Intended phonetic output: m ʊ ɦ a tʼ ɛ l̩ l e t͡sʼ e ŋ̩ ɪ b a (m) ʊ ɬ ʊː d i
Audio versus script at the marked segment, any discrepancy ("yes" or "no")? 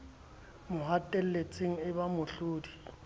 no